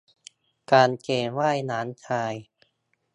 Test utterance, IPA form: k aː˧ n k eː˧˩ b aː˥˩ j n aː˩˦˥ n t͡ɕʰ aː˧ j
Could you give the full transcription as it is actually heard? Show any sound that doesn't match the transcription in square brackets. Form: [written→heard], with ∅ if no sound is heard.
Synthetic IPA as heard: k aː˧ n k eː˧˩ [b→w] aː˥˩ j n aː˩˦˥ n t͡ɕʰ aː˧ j